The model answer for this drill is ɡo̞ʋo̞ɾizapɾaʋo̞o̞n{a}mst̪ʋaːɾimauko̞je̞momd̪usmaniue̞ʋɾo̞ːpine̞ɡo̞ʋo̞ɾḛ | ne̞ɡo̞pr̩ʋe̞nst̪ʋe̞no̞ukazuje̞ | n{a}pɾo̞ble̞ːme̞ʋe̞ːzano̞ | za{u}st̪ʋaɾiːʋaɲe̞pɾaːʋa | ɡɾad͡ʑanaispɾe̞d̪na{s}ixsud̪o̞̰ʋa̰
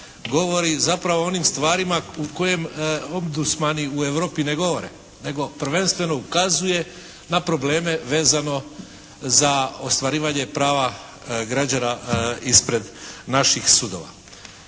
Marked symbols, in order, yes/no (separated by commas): no, yes, no, no